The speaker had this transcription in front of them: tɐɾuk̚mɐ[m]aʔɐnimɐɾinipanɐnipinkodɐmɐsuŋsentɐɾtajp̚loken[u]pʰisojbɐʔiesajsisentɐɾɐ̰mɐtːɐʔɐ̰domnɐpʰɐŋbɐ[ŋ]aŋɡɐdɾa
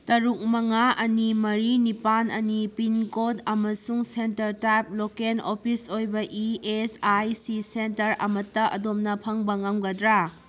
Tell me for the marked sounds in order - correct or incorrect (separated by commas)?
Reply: incorrect, incorrect, correct